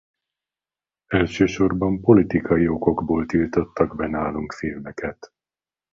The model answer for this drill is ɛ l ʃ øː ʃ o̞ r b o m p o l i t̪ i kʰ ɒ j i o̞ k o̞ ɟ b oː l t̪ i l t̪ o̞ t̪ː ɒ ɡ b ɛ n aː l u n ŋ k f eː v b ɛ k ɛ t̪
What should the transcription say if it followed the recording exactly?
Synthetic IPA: ɛ l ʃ øː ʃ o̞ r b ɒ m p o l i t̪ i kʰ ɒ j i o̞ k o̞ ɡ b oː l t̪ i l t̪ o̞ t̪ː ɒ ɡ b ɛ n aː l u ŋ k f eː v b ɛ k ɛ t̪